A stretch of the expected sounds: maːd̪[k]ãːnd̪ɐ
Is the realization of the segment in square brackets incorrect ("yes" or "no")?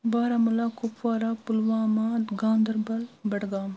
yes